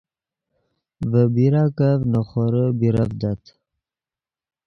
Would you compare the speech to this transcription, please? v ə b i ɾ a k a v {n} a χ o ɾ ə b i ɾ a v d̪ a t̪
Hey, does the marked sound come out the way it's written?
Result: yes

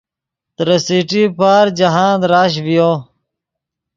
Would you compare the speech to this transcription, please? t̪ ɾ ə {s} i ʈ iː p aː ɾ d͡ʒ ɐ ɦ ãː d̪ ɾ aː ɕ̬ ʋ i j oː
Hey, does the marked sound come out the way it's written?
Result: yes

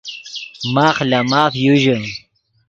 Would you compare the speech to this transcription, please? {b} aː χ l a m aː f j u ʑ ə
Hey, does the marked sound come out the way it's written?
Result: no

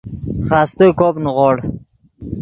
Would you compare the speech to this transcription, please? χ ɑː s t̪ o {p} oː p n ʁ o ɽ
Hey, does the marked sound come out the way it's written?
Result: no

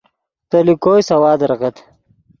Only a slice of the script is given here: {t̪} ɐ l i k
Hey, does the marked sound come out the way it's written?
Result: yes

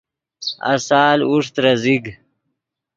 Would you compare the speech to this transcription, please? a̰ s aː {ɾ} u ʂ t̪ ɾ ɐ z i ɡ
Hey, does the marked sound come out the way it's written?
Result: no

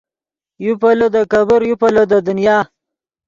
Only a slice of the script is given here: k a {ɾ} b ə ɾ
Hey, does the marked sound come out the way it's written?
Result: no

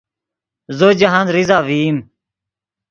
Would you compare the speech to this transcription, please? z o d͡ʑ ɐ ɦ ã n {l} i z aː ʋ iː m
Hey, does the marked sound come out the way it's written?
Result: no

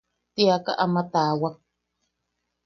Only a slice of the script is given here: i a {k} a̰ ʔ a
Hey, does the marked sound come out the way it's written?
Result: yes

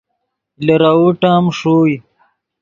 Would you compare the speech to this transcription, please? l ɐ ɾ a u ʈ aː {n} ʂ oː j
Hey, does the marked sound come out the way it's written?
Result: no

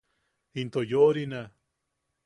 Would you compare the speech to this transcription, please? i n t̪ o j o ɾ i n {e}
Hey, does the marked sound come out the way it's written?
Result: no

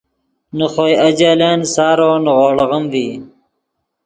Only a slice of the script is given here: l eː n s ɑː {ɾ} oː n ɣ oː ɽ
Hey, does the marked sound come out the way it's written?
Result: yes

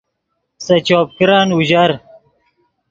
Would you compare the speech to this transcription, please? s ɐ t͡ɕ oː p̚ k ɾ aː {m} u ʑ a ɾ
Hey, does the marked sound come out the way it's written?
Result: no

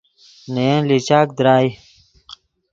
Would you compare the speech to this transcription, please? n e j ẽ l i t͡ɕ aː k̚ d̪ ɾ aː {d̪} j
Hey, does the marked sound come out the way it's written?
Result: no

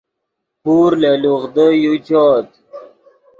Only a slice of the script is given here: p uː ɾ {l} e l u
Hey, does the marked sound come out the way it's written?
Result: yes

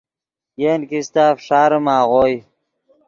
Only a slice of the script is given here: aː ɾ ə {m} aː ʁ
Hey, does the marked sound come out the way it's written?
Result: yes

